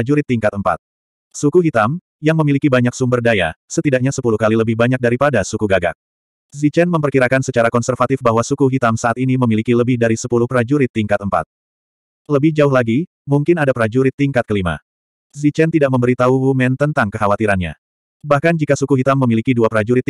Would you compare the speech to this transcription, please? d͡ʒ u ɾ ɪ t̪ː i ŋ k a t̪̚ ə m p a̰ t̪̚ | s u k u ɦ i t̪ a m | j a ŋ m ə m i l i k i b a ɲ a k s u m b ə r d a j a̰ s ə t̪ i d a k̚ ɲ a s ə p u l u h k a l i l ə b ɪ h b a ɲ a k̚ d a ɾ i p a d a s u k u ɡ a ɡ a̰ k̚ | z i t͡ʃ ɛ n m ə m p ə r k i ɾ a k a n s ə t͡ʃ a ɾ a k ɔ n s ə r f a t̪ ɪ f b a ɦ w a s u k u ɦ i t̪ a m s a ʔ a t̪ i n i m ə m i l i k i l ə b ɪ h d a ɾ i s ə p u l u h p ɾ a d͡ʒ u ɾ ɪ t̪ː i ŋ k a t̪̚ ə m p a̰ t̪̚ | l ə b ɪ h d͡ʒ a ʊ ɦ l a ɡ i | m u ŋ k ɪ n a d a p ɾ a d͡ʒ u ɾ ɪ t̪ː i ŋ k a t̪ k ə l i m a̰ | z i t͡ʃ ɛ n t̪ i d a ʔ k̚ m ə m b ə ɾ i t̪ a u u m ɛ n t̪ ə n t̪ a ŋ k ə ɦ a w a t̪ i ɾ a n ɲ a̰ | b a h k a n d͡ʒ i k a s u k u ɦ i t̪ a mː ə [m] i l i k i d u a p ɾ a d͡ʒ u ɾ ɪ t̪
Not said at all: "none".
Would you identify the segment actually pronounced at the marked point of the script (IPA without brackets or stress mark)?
m